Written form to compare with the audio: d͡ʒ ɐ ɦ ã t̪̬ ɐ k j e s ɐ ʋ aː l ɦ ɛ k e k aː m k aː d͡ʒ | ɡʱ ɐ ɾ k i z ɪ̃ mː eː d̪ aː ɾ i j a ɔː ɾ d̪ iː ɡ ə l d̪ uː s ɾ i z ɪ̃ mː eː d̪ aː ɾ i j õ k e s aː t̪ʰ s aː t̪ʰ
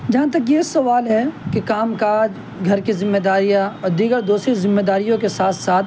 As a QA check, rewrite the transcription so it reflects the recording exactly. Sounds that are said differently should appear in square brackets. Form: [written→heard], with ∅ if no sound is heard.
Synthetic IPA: d͡ʒ ɐ ɦ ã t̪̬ ɐ k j e s ɐ ʋ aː l ɦ ɛ k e k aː m k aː d͡ʒ | ɡʱ ɐ ɾ k i z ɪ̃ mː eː d̪ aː ɾ i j a ɔː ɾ d̪ iː ɡ ə [l→ɾ] d̪ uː s ɾ i z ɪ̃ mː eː d̪ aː ɾ i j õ k e s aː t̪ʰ s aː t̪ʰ